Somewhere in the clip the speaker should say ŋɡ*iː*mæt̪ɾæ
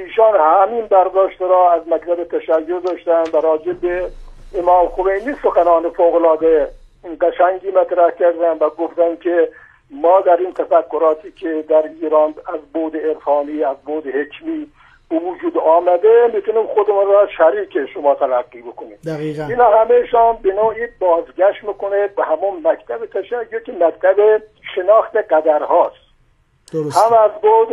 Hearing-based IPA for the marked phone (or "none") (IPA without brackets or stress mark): iː